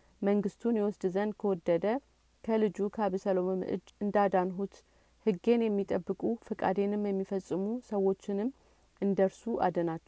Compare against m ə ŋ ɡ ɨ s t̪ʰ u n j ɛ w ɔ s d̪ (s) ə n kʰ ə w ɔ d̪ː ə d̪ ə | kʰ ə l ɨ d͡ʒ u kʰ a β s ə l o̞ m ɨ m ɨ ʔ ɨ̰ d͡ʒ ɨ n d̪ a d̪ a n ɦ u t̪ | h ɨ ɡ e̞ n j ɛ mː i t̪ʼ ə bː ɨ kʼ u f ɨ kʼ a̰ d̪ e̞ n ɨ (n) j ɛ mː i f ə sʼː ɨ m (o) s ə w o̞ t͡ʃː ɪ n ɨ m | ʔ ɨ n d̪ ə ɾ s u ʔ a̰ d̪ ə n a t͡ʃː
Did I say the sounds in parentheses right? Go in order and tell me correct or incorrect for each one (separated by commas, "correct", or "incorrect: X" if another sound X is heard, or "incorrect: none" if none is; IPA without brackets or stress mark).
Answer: incorrect: z, incorrect: m, incorrect: u